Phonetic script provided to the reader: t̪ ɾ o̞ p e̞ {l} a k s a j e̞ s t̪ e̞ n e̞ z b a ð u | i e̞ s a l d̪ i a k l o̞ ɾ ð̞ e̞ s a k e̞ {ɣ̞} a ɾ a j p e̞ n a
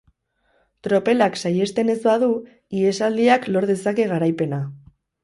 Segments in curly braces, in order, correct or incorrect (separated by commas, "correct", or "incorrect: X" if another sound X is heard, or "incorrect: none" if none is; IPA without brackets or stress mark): correct, correct